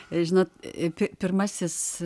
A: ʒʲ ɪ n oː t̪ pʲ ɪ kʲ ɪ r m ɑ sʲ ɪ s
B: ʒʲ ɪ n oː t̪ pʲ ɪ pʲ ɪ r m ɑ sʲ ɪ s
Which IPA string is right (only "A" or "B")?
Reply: B